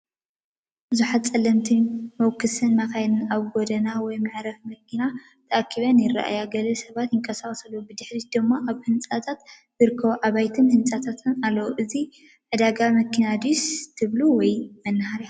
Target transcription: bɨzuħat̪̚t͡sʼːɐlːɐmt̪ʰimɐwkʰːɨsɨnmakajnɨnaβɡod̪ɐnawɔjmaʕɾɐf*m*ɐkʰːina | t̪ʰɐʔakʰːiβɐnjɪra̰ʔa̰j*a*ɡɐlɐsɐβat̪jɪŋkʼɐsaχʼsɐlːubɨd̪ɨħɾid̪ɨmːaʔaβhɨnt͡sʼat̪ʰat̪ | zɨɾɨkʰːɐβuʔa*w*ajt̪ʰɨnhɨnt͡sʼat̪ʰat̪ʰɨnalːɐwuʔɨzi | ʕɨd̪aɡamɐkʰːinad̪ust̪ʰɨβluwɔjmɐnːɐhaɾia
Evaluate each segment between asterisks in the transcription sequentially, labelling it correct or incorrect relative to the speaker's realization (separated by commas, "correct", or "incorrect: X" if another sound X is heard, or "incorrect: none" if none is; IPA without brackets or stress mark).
correct, correct, incorrect: β